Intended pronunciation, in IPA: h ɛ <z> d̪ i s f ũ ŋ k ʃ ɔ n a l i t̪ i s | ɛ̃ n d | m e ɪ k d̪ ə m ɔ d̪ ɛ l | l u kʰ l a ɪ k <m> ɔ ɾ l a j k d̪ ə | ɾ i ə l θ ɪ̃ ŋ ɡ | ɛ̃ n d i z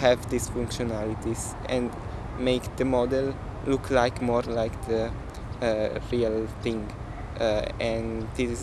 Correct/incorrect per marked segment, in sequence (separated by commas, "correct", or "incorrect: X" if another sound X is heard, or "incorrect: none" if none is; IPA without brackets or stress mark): incorrect: v, correct